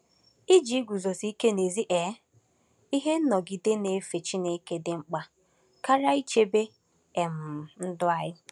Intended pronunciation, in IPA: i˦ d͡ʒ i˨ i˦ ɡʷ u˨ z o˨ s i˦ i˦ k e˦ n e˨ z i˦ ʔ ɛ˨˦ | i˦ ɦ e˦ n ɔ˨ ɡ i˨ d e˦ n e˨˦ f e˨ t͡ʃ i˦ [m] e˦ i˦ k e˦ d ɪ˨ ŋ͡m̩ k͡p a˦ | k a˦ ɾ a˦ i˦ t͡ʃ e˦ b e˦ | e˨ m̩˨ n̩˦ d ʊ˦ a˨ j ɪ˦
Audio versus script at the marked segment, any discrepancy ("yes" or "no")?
yes